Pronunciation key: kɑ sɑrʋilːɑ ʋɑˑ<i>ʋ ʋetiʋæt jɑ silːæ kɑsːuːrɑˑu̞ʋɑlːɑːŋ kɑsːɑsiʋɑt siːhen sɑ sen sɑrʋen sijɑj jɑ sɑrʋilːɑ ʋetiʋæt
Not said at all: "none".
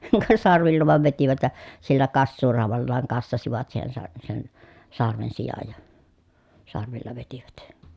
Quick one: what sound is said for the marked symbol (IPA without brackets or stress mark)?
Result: e